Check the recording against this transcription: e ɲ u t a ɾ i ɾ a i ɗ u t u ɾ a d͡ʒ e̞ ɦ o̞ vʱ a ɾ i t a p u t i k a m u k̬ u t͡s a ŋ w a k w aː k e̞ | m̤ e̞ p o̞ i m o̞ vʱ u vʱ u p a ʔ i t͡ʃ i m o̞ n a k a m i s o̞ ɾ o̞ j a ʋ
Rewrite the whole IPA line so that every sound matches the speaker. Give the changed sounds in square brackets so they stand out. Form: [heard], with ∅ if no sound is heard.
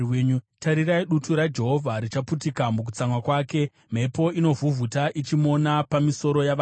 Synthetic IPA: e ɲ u t a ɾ i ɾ a i ɗ u t u ɾ a d͡ʒ e̞ ɦ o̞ vʱ a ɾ i [t͡ʃ] a p u t i k a m u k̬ u t͡s a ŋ w a k w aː k e̞ | m̤ e̞ p o̞ i [n] o̞ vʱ u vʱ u [t] a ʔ i t͡ʃ i m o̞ n a [p] a m i s o̞ ɾ o̞ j a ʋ